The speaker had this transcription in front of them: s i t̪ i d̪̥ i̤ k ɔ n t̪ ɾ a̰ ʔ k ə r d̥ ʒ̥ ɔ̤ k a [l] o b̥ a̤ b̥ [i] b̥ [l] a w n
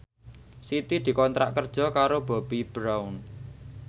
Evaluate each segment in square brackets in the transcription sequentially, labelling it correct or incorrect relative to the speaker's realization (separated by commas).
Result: incorrect, correct, incorrect